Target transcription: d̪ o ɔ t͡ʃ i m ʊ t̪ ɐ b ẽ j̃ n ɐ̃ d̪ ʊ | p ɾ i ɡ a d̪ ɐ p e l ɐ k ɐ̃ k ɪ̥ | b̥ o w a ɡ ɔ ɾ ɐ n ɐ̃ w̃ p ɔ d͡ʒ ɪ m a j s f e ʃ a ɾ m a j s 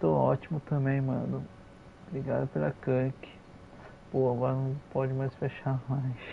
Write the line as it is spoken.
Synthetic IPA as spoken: t̪ o ɔ t͡ʃ i m ʊ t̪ ɐ̃ b ẽ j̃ m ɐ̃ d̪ ʊ | b ɾ i ɡ a d̪ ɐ p e l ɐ k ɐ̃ k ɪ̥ | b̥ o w a ɡ ɔ ɾ ɐ n ɐ̃ w̃ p ɔ d͡ʒ ɪ m a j s f e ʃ a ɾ m a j s